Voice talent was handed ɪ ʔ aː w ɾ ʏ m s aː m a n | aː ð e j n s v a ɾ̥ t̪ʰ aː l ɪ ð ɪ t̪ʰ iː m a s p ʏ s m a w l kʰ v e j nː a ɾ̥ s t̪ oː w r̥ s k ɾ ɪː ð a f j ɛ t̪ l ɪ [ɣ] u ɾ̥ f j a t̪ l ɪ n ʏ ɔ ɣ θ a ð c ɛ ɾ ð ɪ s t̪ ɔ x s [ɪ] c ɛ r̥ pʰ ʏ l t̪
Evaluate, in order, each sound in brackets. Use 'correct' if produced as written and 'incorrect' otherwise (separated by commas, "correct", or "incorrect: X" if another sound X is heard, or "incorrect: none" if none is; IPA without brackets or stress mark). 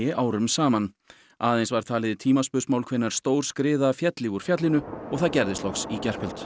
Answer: correct, incorrect: i